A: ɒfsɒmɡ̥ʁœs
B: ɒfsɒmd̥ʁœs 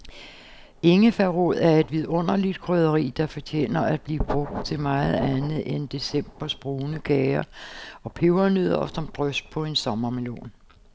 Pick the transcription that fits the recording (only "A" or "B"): B